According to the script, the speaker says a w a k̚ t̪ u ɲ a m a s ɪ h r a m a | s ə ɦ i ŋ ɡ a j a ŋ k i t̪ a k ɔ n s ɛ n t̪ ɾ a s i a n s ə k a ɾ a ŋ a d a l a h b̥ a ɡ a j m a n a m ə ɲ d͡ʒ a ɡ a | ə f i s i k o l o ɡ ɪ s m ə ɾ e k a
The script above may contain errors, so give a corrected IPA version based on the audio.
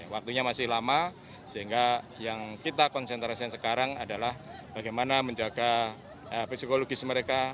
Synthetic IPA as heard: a w a k̚ t̪ u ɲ a m a s ɪ h l a m a | s ə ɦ i ŋ ɡ a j a ŋ k i t̪ a k ɔ n s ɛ n t̪ ɾ a s i a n s ə k a ɾ a ŋ a d a l a h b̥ a ɡ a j m a n a m ə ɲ d͡ʒ a ɡ a | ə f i s i k o l o ɡ ɪ s m ə ɾ e k a